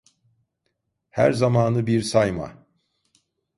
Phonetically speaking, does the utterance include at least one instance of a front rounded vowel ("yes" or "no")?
no